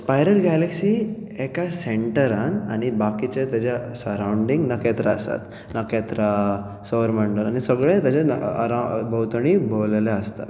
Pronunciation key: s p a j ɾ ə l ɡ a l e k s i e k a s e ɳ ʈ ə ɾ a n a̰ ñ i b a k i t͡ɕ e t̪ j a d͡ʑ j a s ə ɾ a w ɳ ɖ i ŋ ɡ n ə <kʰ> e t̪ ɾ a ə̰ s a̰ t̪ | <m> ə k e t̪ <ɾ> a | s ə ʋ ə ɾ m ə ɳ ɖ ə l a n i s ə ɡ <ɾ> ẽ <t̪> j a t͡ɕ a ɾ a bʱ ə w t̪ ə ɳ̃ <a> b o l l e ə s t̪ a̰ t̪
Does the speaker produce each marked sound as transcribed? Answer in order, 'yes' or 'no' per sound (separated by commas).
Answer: no, no, yes, no, yes, no